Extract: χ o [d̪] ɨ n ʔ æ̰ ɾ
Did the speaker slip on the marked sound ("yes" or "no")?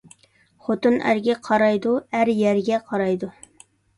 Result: yes